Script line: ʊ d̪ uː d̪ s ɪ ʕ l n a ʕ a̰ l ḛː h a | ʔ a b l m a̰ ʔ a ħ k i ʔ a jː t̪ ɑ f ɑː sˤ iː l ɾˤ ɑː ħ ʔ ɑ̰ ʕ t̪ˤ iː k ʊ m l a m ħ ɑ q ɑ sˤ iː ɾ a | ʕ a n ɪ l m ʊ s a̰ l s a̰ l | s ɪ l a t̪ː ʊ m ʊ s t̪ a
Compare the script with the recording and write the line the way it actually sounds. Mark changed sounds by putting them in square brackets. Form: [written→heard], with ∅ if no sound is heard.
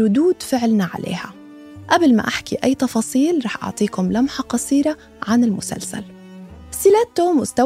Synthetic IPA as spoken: ʊ d̪ uː d̪ [s→f] ɪ ʕ l n a ʕ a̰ l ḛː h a | ʔ a b l m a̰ ʔ a ħ k i ʔ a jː t̪ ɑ f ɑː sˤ iː l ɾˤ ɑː ħ ʔ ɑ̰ ʕ t̪ˤ iː k ʊ m l a m ħ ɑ q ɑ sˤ iː ɾ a | ʕ a n ɪ l m ʊ s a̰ l s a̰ l | s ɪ l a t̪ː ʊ m ʊ s t̪ a